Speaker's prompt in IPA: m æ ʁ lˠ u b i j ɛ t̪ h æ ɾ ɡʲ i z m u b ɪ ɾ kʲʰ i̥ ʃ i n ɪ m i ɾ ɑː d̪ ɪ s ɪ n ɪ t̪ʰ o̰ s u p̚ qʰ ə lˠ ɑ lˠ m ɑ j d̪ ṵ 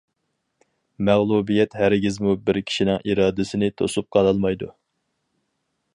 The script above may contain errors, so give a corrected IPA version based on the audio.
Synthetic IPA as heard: m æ ʁ lˠ u b i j ɛ t̪ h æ ɾ ɡʲ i z m u b ɪ ɾ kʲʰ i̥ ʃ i n ɪ ŋ i ɾ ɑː d̪ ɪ s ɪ n ɪ t̪ʰ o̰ s u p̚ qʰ ɑ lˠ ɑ lˠ m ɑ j d̪ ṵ